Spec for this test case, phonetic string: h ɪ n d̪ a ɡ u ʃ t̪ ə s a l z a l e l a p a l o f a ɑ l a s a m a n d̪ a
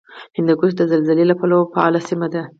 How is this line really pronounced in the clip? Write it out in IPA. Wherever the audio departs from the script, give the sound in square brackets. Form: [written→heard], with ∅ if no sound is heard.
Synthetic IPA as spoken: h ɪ n d̪ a ɡ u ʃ [t̪→d̪] ə [s→z] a l z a l e l a p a l o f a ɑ l a s [a→i] m a [n→∅] d̪ a

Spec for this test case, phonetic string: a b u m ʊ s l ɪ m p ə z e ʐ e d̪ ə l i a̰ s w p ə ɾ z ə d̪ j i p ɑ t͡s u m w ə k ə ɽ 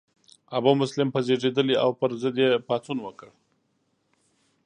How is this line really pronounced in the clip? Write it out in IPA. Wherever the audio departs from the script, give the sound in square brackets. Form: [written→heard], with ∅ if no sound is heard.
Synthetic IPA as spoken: a b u m ʊ s l ɪ m p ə z e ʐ e d̪ ə l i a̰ [s→∅] w p ə ɾ z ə d̪ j [i→e] p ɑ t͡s u [m→n] w ə k ə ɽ

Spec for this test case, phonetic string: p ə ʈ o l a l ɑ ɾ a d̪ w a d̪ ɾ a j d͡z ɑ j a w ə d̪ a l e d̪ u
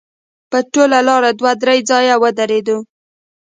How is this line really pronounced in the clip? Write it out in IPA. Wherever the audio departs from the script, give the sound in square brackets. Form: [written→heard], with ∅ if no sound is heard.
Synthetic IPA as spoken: p ə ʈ o l a l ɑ ɾ a d̪ w a d̪ ɾ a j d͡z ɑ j a w ə d̪ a [l→ɾ] e d̪ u

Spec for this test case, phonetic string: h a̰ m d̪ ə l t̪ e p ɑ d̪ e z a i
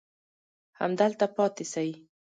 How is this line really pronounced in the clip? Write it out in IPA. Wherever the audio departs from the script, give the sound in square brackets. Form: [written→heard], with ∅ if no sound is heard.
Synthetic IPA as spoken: h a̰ m d̪ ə l t̪ [e→a] p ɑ [d̪→t̪] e [z→s] a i

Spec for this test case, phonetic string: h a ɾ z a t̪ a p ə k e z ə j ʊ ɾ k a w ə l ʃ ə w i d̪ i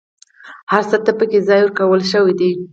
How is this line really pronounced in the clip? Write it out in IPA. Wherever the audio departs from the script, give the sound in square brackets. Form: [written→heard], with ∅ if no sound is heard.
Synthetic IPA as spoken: h a ɾ [z→s] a t̪ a p ə k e z [ə→ɑ] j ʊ ɾ k a w ə l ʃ ə w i d̪ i

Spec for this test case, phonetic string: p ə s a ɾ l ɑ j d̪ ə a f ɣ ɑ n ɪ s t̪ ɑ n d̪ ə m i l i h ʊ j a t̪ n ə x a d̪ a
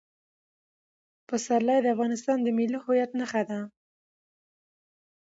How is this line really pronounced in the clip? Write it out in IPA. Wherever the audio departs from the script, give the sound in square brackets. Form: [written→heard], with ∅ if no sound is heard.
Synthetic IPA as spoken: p ə s a ɾ l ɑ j d̪ ə a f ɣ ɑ n ɪ s t̪ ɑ n d̪ ə m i l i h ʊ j a t̪ n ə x a d̪ a

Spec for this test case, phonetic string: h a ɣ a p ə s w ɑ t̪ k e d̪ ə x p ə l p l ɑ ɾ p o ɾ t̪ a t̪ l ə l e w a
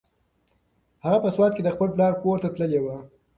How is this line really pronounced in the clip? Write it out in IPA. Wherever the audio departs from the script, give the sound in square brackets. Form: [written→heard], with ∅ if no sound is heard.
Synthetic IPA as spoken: h a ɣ a p ə s w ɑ t̪ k e d̪ ə x p ə l p l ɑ ɾ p o ɾ t̪ a t̪ l ə l e w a

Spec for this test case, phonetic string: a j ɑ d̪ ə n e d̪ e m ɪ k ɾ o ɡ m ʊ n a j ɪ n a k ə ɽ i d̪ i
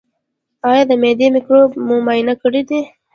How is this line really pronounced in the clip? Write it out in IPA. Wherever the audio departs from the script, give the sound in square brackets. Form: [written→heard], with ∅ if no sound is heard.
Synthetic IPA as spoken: [a→ɑ] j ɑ d̪ ə [n→m] e d̪ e m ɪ k ɾ o [ɡ→b] m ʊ [n→m] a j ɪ n a k ə ɽ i d̪ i

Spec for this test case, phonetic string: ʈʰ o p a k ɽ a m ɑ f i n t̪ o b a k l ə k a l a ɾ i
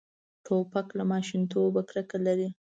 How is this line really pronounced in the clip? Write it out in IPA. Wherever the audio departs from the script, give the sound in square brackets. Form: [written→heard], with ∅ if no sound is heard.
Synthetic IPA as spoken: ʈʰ o p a k [ɽ→l] a m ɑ [f→ʃ] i n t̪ o b a k [l→ɾ] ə k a l a ɾ i

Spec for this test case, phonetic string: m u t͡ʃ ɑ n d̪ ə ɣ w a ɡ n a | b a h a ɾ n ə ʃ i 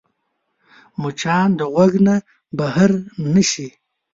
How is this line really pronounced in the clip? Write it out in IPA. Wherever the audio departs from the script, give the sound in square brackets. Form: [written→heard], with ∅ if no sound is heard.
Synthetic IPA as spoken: m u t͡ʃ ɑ n d̪ ə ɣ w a ɡ n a | b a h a ɾ n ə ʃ i

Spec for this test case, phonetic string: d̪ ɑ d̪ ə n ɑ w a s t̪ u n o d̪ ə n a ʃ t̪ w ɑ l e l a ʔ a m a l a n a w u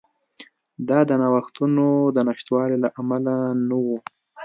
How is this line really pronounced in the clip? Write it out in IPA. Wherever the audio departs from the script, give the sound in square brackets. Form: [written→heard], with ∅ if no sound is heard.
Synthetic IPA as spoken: d̪ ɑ d̪ ə n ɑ w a [s→x] t̪ u n o d̪ ə n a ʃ t̪ w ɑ l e l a ʔ a m a l a n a w u

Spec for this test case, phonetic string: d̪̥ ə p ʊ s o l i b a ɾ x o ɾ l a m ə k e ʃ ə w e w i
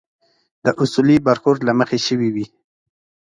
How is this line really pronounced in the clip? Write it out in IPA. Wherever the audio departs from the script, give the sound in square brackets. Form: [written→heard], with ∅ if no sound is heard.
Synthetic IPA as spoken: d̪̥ ə [p→ʔ] ʊ s [o→u] l i b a ɾ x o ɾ l a m ə [k→x] e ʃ ə w [e→i] w i

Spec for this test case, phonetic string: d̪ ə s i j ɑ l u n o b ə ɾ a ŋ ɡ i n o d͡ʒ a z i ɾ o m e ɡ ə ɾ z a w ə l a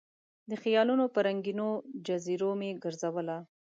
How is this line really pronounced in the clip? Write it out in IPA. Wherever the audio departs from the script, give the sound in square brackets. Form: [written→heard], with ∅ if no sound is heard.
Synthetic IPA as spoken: d̪ ə [s→x] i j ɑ l u n o [b→p] ə ɾ a ŋ ɡ i n o d͡ʒ a z i ɾ o m e ɡ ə ɾ z a w ə l a

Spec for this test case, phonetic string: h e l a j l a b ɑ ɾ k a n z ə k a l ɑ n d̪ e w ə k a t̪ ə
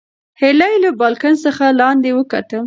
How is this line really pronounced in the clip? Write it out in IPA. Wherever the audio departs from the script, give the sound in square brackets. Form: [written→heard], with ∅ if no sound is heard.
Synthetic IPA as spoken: h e l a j l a b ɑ [ɾ→l] k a n [z→s] ə [k→x] a l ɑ n d̪ e w ə k a t̪ ə

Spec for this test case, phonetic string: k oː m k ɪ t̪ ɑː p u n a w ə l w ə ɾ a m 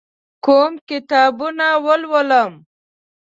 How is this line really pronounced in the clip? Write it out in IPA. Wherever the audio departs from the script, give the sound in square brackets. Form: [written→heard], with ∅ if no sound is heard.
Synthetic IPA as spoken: k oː m k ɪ t̪ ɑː [p→b] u n a w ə l w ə [ɾ→l] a m

